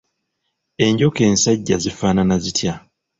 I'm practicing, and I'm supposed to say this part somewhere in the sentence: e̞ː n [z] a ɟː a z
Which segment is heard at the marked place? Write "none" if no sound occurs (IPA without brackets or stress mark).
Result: s